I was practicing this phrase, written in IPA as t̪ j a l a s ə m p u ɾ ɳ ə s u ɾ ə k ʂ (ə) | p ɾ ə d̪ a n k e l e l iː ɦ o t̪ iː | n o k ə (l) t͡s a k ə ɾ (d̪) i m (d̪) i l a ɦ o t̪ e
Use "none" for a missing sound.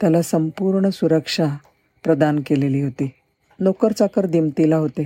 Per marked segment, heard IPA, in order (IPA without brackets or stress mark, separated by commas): a, ɾ, d̪, t̪